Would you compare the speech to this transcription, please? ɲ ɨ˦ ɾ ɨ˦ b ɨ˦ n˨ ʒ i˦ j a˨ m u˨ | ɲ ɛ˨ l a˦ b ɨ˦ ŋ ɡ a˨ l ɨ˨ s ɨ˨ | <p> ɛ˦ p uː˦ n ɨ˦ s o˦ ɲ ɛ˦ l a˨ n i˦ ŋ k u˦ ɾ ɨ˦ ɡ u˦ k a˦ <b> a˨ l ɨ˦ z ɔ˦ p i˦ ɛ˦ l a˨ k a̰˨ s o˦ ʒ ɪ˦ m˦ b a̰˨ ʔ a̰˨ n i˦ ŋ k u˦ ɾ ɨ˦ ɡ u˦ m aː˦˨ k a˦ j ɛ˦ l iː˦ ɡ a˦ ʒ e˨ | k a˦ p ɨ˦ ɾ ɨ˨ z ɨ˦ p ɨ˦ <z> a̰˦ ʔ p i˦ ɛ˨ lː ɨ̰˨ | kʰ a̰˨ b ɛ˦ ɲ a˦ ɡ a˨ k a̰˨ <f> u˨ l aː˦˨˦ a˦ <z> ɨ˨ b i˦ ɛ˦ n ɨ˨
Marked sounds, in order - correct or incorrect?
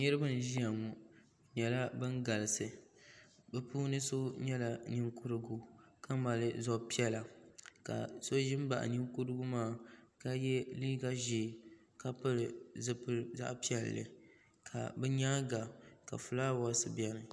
incorrect: b, incorrect: m, correct, correct, incorrect: s

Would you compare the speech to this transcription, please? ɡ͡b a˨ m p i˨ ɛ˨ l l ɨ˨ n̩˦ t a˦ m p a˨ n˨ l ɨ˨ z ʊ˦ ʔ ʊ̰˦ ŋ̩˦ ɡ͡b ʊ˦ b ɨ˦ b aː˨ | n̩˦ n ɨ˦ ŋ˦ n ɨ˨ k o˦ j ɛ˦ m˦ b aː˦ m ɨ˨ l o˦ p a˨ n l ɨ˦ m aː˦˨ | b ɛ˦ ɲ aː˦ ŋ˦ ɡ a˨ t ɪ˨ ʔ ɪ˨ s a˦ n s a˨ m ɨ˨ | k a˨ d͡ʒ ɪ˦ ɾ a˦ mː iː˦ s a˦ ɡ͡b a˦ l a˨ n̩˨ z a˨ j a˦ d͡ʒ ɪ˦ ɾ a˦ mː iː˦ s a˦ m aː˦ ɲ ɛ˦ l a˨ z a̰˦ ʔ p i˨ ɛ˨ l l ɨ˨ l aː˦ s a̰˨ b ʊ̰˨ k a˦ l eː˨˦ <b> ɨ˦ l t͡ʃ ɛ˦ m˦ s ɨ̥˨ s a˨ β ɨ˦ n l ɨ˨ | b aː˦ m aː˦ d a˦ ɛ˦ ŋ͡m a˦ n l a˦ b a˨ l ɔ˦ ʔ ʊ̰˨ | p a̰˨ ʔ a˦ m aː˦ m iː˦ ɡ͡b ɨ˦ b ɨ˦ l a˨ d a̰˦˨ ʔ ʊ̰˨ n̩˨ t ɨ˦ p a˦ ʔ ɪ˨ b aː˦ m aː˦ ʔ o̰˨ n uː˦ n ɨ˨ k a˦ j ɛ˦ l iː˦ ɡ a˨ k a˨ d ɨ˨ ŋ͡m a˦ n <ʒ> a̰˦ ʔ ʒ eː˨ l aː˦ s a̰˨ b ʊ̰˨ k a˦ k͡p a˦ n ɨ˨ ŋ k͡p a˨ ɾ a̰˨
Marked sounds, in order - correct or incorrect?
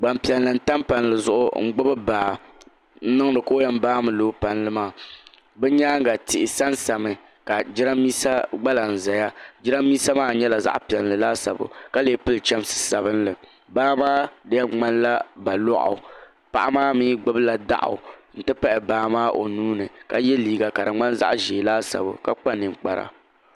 incorrect: p, incorrect: z

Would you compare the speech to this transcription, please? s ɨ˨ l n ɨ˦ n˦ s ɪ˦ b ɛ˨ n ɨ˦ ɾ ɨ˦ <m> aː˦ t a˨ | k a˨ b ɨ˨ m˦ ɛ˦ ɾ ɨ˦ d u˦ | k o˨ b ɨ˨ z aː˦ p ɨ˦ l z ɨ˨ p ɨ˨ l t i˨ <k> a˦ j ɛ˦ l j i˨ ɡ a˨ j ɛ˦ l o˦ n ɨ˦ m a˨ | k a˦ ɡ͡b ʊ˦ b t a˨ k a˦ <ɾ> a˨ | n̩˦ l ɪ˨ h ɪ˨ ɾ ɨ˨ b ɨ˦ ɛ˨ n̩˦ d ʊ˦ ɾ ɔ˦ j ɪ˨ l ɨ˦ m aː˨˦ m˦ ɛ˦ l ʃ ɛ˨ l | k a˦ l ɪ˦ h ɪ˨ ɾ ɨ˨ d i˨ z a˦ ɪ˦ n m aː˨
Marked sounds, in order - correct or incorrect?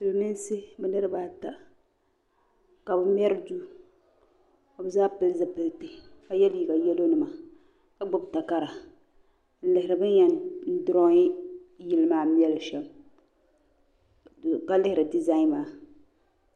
incorrect: b, correct, correct

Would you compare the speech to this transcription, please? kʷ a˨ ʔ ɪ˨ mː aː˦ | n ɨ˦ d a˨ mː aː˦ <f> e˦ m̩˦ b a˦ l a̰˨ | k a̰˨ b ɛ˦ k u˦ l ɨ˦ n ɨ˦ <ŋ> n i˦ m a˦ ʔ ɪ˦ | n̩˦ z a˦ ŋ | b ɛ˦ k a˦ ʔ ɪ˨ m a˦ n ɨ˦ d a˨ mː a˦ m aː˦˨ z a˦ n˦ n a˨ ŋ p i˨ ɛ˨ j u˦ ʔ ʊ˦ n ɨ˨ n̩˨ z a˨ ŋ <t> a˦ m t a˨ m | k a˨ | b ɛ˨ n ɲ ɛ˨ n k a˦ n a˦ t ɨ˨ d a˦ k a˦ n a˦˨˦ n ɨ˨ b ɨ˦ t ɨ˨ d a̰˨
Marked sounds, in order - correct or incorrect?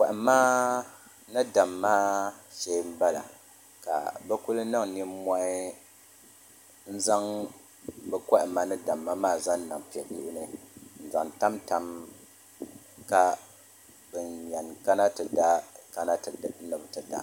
incorrect: ʃ, correct, correct

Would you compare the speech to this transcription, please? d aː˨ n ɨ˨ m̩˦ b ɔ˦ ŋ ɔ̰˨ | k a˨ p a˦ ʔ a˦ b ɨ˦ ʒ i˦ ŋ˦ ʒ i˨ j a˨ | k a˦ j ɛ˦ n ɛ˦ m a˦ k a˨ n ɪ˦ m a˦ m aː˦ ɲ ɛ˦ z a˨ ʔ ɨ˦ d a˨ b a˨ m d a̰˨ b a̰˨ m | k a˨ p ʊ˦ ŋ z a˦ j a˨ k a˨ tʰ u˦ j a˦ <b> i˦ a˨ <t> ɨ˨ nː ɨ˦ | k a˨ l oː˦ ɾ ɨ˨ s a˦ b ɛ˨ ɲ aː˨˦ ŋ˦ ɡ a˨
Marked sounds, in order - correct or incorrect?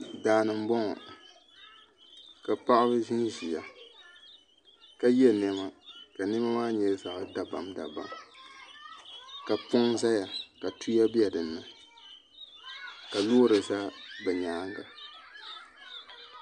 correct, incorrect: d

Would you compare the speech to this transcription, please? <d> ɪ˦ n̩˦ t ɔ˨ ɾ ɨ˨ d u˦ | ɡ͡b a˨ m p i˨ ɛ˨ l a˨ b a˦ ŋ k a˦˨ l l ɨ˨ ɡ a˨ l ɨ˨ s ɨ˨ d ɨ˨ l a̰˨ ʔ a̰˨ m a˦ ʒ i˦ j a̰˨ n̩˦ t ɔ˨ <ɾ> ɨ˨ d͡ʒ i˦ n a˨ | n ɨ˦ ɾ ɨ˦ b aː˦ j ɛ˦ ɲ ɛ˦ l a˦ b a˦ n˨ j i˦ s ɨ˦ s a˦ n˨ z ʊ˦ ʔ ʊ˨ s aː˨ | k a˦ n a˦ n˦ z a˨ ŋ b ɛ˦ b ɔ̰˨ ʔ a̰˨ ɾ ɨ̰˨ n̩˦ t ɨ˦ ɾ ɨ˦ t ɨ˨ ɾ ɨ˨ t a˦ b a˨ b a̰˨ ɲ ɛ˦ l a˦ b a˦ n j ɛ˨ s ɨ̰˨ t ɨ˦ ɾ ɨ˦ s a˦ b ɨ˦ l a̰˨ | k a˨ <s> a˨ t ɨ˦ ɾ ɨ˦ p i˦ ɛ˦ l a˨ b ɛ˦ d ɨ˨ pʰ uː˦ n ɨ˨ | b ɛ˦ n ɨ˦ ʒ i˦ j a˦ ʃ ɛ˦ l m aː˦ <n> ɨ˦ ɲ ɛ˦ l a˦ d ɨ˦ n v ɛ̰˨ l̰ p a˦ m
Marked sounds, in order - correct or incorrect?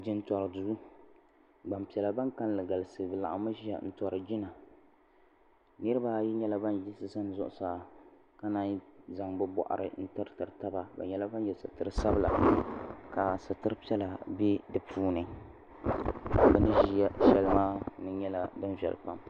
incorrect: d͡ʒ, correct, correct, correct

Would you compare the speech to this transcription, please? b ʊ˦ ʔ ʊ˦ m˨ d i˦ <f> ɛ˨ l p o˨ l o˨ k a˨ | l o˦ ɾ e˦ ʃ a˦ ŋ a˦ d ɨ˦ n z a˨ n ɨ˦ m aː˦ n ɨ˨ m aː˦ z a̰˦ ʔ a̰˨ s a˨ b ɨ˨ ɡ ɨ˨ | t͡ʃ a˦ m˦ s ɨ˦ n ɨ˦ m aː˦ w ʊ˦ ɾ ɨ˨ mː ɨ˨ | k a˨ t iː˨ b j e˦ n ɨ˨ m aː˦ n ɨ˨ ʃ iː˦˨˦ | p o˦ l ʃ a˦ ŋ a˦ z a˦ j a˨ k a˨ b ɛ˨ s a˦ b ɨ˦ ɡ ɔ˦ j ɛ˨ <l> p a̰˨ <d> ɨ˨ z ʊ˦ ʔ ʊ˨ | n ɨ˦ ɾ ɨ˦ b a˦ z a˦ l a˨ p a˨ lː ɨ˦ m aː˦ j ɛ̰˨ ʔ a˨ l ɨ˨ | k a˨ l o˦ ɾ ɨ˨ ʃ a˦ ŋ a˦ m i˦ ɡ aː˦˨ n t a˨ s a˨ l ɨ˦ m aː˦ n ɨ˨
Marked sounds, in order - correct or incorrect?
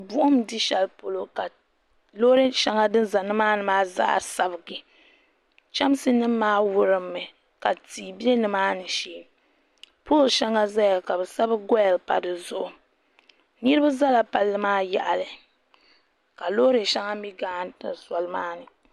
incorrect: ʃ, correct, correct

